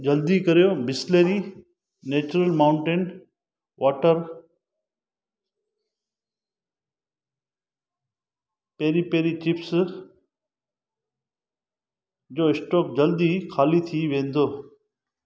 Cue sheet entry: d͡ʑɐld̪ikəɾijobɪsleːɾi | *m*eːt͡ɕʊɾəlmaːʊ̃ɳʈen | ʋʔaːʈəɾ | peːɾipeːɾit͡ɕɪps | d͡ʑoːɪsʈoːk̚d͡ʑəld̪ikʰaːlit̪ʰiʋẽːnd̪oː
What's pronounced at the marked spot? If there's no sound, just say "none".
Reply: n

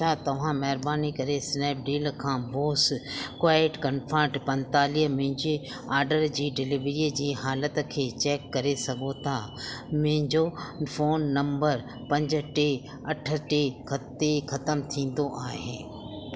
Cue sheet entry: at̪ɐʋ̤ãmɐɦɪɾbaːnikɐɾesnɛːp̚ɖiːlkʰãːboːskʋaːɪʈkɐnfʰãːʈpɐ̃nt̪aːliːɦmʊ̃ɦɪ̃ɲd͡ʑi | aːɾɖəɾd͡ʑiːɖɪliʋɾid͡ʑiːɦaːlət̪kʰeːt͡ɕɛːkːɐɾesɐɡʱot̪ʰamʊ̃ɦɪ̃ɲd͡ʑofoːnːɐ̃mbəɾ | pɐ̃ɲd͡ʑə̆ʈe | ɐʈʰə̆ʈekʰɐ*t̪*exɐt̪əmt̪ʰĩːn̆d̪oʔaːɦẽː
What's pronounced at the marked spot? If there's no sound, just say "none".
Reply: t̪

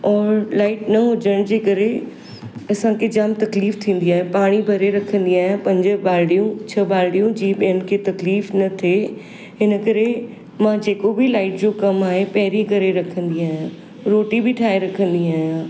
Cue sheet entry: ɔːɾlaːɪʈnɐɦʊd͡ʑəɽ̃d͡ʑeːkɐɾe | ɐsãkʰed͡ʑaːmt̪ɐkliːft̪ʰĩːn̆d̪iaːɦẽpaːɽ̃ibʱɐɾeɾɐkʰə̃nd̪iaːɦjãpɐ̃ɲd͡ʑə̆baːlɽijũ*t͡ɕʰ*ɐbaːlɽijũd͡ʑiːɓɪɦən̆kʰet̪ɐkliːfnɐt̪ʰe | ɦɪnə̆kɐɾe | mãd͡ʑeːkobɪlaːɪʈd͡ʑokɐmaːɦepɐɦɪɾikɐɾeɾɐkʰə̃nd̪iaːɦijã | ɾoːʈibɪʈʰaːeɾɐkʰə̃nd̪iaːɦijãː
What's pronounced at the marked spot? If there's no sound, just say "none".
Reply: t͡ɕʰ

